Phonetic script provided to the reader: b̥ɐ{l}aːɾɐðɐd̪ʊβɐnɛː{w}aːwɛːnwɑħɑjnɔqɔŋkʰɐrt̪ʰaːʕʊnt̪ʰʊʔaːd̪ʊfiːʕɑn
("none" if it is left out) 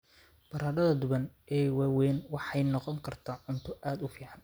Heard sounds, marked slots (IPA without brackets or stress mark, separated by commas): ɾ, w